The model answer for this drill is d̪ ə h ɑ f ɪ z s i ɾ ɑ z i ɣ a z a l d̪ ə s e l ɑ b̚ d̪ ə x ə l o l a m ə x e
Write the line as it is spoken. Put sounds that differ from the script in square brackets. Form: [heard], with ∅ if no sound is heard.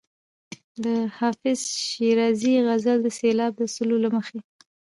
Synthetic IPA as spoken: d̪ ə h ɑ f ɪ z [ʃ] i ɾ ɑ z i ɣ a z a l d̪ ə s e l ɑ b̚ d̪ ə [s] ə l o l a m ə x e